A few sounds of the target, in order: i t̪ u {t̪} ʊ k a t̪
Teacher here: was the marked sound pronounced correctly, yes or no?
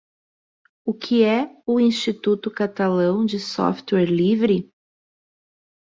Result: yes